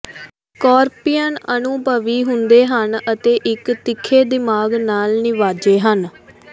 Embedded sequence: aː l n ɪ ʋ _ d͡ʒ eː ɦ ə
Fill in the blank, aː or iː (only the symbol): aː